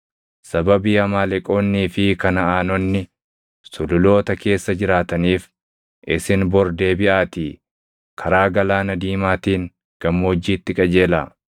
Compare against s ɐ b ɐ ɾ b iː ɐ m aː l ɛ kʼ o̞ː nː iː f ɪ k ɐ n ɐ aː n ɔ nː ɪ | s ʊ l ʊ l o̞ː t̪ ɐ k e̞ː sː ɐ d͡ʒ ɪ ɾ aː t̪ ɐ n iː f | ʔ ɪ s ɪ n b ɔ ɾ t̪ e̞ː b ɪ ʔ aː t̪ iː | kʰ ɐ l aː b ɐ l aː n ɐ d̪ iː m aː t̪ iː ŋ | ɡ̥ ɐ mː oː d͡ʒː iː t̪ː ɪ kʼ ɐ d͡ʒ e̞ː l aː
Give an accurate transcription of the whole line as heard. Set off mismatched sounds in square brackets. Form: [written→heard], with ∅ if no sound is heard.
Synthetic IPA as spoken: s ɐ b ɐ [ɾ→∅] b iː ɐ m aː l ɛ kʼ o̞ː nː iː f ɪ k ɐ n ɐ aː n ɔ nː ɪ | s ʊ l ʊ l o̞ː t̪ ɐ k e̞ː sː ɐ d͡ʒ ɪ ɾ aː t̪ ɐ n iː f | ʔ ɪ s ɪ n b ɔ ɾ [t̪→d̪] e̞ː b ɪ ʔ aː t̪ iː | kʰ ɐ [l→ɾ] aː [b→ɡ] ɐ l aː n ɐ d̪ iː m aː t̪ iː ŋ | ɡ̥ ɐ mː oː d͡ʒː iː t̪ː ɪ kʼ ɐ d͡ʒ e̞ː l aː

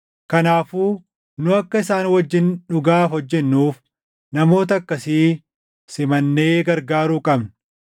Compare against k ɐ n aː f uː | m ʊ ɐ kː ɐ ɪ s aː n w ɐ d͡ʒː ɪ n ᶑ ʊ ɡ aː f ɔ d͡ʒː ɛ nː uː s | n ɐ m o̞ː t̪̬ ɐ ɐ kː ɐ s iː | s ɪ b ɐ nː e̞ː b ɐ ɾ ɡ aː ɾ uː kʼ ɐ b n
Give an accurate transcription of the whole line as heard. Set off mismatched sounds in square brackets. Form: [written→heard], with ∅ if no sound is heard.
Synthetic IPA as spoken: k ɐ n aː f uː | [m→n] ʊ ɐ kː ɐ ɪ s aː n w ɐ d͡ʒː ɪ n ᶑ ʊ ɡ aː f ɔ d͡ʒː ɛ nː uː [s→f] | n ɐ m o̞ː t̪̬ ɐ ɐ kː ɐ s iː | s ɪ [b→m] ɐ nː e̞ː [b→ɡ] ɐ ɾ ɡ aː ɾ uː kʼ ɐ b n

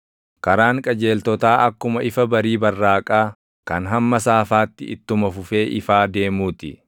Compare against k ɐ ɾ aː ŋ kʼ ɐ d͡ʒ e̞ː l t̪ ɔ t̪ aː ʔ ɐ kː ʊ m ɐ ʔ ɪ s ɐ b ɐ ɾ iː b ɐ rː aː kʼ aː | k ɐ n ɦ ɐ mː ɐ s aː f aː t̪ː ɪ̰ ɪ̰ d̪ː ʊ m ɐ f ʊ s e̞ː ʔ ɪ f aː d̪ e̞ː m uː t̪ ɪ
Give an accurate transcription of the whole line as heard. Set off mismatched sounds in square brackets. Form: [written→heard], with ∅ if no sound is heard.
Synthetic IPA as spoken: k ɐ ɾ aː ŋ kʼ ɐ d͡ʒ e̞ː l t̪ ɔ t̪ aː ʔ ɐ kː ʊ m ɐ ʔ ɪ [s→f] ɐ b ɐ ɾ iː b ɐ rː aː kʼ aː | k ɐ n ɦ ɐ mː ɐ s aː f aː t̪ː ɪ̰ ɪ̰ [d̪ː→t̪ː] ʊ m ɐ f ʊ [s→f] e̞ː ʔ ɪ f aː d̪ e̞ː m uː t̪ ɪ

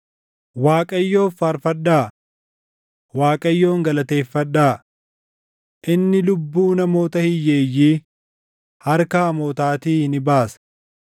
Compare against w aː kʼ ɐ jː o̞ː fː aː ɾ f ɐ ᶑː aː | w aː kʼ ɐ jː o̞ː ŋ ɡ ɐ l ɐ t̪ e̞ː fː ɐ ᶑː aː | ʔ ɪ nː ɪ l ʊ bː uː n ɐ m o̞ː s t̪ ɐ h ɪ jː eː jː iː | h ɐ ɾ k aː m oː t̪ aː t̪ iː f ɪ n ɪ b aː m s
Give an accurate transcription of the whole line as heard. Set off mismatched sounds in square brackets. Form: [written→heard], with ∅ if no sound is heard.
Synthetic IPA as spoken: w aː kʼ ɐ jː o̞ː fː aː ɾ f ɐ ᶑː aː | w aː kʼ ɐ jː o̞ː ŋ ɡ ɐ l ɐ t̪ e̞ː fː ɐ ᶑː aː | ʔ ɪ nː ɪ l ʊ bː uː n ɐ m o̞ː [s→∅] t̪ ɐ h ɪ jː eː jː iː | h ɐ ɾ k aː m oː t̪ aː t̪ iː [f→h] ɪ n ɪ b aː [m→∅] s

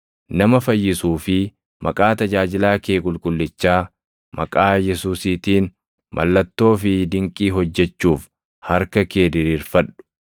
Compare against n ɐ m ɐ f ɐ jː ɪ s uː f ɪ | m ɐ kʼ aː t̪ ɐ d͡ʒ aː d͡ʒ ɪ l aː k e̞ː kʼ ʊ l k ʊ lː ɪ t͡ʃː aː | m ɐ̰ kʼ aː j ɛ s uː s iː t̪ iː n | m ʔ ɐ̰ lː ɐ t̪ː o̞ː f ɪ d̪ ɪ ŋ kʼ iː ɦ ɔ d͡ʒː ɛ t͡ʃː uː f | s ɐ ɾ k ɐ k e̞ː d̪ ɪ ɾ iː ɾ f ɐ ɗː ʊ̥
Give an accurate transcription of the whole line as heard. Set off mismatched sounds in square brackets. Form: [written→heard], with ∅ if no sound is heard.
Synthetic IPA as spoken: n ɐ m ɐ f ɐ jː ɪ s uː f ɪ | m ɐ kʼ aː t̪ ɐ d͡ʒ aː d͡ʒ ɪ l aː k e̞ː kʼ ʊ l [k→kʼ] ʊ lː ɪ t͡ʃː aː | m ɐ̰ kʼ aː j ɛ s uː s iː t̪ iː n | m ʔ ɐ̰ lː ɐ t̪ː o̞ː f ɪ d̪ ɪ ŋ kʼ iː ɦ ɔ d͡ʒː ɛ t͡ʃː uː f | [s→h] ɐ ɾ k ɐ k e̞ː d̪ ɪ ɾ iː ɾ f ɐ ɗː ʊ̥

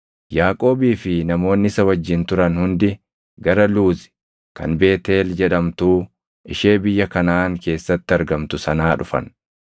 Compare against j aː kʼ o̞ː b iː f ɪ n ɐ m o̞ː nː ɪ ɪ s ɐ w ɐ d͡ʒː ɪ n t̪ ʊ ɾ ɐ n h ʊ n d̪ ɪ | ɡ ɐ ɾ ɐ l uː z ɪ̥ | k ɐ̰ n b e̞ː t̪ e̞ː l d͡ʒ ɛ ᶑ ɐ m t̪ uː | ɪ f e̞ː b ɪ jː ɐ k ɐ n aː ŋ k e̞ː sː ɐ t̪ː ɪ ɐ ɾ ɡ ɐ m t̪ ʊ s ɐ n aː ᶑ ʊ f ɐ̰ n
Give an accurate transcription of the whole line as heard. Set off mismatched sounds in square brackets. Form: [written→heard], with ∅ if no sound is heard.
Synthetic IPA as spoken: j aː kʼ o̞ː b iː f ɪ n ɐ m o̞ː nː ɪ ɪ s ɐ w ɐ d͡ʒː ɪ n t̪ ʊ ɾ ɐ n h ʊ n d̪ ɪ | ɡ ɐ ɾ ɐ l uː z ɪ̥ | k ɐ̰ n b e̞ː t̪ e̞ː l d͡ʒ ɛ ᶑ ɐ m t̪ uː | ɪ [f→ʃ] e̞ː b ɪ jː ɐ k ɐ n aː ŋ k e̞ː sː ɐ t̪ː ɪ ɐ ɾ ɡ ɐ m t̪ ʊ s ɐ n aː ᶑ ʊ f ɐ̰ n

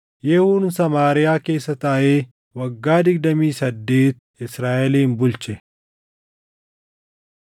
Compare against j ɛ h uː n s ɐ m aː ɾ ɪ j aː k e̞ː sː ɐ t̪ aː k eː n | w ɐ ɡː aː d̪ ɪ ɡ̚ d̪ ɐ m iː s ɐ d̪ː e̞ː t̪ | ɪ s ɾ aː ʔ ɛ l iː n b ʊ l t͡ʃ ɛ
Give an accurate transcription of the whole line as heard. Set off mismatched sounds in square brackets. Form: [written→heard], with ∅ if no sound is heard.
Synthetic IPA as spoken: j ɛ h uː n s ɐ m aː ɾ ɪ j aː k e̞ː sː ɐ t̪ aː [k→ʔ] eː [n→∅] | w ɐ ɡː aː d̪ ɪ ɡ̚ d̪ ɐ m iː s ɐ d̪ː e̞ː t̪ | ɪ s ɾ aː ʔ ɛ l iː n b ʊ l t͡ʃ ɛ

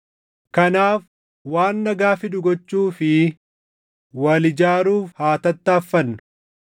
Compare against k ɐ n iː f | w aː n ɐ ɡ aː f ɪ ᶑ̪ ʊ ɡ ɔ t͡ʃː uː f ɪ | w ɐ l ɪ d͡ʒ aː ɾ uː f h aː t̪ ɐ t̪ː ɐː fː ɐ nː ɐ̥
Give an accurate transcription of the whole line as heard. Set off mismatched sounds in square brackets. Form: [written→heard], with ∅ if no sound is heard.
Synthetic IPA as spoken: k ɐ n [iː→aː] f | w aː [n→nː] ɐ ɡ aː f ɪ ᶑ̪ ʊ ɡ ɔ t͡ʃː uː f ɪ | w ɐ l ɪ d͡ʒ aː ɾ uː f h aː t̪ ɐ t̪ː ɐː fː ɐ nː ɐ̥

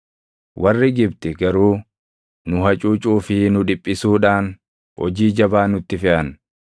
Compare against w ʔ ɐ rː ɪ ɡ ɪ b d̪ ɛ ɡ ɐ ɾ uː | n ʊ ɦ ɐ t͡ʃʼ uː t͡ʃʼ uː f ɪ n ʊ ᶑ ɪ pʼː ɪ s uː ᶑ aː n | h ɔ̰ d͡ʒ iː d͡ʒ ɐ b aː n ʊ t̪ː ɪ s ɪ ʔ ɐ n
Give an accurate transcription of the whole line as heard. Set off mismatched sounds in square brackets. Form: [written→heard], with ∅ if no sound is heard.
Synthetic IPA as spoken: w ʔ ɐ rː ɪ ɡ ɪ b [d̪→t̪] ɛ ɡ ɐ ɾ uː | n ʊ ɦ ɐ t͡ʃʼ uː t͡ʃʼ uː f ɪ n ʊ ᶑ ɪ pʼː ɪ s uː ᶑ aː n | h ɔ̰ d͡ʒ iː d͡ʒ ɐ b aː n ʊ t̪ː ɪ [s→f] ɪ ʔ ɐ n

